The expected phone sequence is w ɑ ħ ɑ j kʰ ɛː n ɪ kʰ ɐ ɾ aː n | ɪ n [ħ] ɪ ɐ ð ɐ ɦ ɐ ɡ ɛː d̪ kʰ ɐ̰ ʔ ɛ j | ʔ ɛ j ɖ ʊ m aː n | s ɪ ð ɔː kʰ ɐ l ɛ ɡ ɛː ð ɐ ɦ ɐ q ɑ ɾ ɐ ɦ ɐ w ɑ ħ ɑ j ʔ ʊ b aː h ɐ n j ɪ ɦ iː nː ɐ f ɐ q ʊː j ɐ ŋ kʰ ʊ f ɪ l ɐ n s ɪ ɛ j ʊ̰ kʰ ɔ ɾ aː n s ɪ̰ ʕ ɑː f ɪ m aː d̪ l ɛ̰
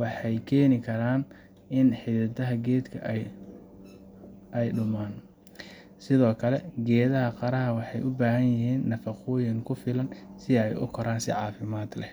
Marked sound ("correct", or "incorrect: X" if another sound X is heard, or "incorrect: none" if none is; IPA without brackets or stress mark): correct